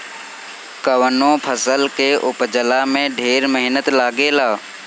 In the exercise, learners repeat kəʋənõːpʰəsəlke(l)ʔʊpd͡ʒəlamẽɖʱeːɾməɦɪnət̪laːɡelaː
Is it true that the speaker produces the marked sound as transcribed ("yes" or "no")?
no